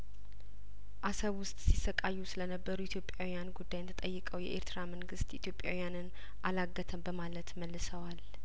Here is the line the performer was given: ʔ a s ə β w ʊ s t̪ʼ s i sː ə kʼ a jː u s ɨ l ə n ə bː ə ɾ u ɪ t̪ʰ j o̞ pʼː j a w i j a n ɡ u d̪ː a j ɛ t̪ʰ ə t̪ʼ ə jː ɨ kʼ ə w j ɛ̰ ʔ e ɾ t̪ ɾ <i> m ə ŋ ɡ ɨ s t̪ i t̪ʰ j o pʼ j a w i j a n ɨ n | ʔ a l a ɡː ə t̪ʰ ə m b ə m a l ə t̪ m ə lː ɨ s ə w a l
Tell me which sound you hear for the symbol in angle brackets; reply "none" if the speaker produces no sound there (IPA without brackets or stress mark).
a